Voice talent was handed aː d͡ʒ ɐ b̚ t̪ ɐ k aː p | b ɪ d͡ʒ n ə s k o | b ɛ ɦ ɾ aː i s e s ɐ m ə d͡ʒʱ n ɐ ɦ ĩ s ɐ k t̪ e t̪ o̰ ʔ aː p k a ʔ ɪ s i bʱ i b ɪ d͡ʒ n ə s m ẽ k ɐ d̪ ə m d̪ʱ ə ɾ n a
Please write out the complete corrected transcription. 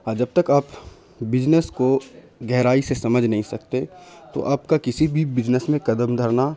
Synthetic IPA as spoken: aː d͡ʒ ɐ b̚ t̪ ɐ k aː p | b ɪ d͡ʒ n ə s k o | ɡ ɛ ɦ ɾ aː i s e s ɐ m ə d͡ʒʱ n ɐ ɦ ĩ s ɐ k t̪ e t̪ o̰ ʔ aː p k a k ɪ s i bʱ i b ɪ d͡ʒ n ə s m ẽ k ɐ d̪ ə m d̪ʱ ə ɾ n a